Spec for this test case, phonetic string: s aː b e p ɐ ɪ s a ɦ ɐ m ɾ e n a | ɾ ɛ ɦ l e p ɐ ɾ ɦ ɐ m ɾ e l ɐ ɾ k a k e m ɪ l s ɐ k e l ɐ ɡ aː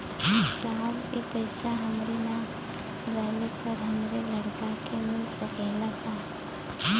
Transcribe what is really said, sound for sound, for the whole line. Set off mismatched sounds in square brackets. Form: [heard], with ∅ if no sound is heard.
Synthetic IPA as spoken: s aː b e p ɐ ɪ s a ɦ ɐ m ɾ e n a | ɾ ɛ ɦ l e p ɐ ɾ ɦ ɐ m ɾ e l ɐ [ɽ] k a k e m ɪ l s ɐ k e l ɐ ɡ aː